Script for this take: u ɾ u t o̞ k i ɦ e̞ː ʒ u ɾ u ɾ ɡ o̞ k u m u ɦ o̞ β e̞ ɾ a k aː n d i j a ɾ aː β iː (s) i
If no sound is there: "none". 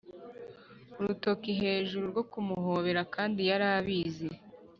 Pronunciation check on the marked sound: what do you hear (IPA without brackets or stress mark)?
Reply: z